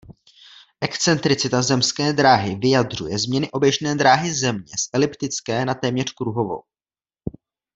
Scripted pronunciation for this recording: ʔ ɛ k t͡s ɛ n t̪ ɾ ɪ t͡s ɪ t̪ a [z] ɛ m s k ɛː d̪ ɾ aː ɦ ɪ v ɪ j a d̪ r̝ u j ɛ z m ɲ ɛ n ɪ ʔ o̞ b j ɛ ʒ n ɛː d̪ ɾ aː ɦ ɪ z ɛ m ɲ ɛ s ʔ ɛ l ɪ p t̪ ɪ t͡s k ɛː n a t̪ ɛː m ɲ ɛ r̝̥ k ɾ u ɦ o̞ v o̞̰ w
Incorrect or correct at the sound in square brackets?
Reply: correct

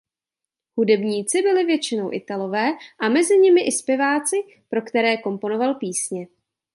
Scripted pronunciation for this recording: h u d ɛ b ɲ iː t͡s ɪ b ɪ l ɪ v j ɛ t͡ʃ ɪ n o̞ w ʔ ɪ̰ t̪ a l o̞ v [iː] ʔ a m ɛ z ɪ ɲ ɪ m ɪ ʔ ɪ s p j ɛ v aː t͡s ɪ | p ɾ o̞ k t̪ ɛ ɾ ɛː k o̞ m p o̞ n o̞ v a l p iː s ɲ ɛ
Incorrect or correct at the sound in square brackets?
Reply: incorrect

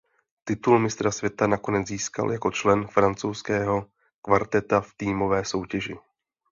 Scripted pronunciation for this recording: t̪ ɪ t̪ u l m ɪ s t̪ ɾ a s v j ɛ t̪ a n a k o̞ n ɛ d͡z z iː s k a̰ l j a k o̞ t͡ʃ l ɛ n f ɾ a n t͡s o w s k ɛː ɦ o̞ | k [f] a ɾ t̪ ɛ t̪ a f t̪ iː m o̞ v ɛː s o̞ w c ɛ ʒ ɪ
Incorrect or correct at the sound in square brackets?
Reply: incorrect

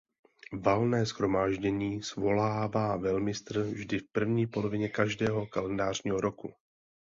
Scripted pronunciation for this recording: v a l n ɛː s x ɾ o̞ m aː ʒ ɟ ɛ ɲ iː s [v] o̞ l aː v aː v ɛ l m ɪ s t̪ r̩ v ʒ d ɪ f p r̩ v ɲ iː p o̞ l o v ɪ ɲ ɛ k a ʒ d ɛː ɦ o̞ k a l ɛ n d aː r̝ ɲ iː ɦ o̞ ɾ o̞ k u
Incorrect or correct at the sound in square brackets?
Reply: correct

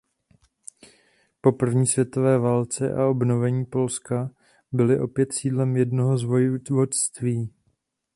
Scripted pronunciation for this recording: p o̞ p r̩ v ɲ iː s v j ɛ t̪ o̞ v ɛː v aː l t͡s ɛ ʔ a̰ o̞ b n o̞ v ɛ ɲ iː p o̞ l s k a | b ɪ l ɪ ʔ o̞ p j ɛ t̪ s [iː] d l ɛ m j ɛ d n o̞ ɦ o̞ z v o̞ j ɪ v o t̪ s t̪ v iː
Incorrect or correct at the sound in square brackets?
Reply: correct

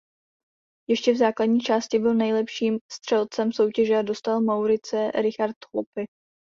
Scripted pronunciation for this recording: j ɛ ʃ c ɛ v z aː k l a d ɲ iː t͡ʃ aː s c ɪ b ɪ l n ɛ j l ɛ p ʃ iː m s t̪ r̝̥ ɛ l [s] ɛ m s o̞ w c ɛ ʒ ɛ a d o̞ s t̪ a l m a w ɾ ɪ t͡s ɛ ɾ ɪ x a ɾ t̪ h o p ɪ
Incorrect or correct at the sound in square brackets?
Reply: incorrect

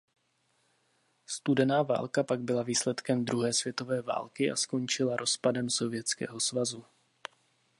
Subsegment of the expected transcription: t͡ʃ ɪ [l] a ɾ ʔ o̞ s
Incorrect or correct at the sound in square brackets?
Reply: correct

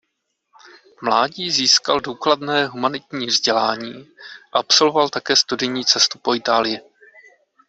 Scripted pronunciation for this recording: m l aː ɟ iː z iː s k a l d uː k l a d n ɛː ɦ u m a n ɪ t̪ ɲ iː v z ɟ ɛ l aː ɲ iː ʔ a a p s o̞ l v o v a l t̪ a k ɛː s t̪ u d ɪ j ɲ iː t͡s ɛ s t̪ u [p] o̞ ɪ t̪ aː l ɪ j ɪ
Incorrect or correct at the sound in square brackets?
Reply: correct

